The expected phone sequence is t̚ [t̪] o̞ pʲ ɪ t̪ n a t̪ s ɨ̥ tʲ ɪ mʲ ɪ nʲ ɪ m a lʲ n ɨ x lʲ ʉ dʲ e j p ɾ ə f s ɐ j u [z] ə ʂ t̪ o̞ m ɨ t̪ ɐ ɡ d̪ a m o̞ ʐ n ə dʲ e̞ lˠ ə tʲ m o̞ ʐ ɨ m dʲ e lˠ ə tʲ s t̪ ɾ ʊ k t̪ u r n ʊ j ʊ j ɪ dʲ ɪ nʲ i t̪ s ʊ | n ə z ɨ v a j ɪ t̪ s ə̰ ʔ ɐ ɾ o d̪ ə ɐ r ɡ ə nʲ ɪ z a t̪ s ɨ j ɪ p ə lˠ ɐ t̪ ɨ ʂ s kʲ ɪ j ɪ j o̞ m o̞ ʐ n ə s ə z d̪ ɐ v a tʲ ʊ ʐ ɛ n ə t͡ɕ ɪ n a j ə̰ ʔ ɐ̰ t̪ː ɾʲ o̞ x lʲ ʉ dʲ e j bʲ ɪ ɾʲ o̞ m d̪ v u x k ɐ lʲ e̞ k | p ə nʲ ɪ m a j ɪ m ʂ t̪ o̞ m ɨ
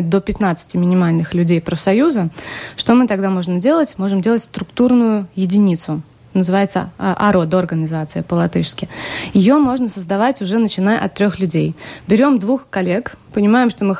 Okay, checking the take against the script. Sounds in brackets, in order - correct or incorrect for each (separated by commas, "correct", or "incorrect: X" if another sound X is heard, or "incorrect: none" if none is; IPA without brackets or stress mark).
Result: incorrect: d̪, correct